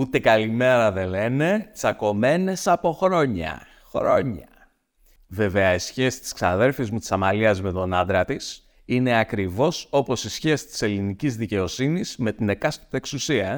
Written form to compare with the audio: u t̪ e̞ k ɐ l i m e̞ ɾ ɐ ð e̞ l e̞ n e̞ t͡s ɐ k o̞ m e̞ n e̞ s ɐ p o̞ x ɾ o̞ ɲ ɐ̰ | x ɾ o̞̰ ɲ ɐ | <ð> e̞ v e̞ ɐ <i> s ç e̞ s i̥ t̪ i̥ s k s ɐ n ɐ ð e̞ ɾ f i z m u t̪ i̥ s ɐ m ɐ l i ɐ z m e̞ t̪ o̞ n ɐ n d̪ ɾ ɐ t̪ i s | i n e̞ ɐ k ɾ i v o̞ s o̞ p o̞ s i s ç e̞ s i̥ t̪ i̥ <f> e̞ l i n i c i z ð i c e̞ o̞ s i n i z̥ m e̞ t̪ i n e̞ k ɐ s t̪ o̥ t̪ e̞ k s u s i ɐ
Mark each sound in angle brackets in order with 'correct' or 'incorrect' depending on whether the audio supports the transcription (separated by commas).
incorrect, correct, incorrect